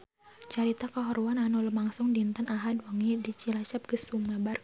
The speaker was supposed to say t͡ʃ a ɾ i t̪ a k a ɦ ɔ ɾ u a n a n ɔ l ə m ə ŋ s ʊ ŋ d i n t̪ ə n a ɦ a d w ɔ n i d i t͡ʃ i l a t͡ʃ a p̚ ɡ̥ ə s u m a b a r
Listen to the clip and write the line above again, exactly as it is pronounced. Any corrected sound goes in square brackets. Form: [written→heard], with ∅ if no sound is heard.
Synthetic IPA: t͡ʃ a ɾ i t̪ a k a ɦ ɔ ɾ u a n a n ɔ l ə m [ə→a] ŋ s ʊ ŋ d i n t̪ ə n a ɦ a d w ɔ [n→ŋ] i d i t͡ʃ i l a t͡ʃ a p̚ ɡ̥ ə s u m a b a r